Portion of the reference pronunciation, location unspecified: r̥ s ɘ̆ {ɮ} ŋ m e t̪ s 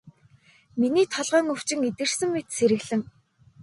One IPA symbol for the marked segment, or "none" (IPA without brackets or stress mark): none